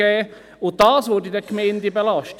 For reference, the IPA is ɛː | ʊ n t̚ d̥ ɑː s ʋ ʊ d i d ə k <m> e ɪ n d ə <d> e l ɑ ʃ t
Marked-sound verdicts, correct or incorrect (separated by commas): correct, incorrect